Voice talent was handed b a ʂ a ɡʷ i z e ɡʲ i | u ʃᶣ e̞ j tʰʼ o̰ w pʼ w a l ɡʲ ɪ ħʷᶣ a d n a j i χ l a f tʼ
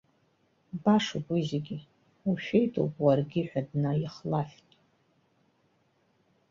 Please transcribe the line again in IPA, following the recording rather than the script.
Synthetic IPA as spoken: b a ʂ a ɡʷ i z e ɡʲ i | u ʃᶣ e̞ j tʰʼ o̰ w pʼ w a r ɡʲ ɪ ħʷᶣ a d n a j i χ l a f tʼ